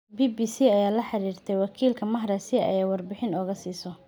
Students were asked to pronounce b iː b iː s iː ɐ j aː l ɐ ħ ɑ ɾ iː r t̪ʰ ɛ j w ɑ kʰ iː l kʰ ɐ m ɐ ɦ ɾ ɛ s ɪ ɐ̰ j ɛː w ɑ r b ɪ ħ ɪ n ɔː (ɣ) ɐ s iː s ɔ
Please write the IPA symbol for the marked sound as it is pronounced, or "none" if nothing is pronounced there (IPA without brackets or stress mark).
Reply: ɣ